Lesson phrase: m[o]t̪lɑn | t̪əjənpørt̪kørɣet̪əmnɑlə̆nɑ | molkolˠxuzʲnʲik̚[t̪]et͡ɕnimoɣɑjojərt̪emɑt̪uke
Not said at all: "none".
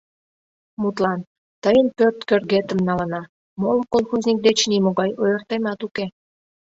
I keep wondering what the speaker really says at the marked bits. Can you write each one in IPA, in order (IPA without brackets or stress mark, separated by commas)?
u, d̪